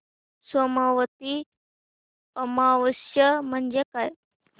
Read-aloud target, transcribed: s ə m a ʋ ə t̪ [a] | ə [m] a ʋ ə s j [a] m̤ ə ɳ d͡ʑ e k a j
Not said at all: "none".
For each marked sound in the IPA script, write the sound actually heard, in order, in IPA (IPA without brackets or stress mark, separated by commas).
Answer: i, m, ə